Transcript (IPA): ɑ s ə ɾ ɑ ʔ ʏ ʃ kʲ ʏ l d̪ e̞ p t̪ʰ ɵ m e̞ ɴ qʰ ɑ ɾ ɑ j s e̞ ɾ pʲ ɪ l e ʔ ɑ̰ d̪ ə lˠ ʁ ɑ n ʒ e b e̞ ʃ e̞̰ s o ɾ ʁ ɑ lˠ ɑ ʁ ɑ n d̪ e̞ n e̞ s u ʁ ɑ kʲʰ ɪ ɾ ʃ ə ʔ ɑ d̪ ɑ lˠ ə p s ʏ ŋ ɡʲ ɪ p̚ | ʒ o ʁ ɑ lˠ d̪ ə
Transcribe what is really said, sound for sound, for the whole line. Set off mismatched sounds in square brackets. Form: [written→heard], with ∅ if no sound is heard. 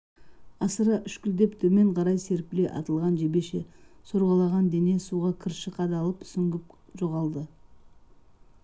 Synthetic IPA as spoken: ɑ s ə ɾ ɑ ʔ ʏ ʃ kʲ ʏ l d̪ e̞ p t̪ʰ ɵ m e̞ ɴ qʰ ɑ ɾ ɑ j s e̞ ɾ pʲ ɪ l e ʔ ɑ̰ [d̪→t̪] ə lˠ ʁ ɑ n ʒ e b e̞ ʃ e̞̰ s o ɾ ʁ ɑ lˠ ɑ ʁ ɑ n d̪ e̞ n e̞ s u ʁ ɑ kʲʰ ɪ ɾ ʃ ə [ʔ→q] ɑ d̪ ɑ lˠ ə p s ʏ ŋ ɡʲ ɪ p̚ | ʒ o ʁ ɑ lˠ d̪ ə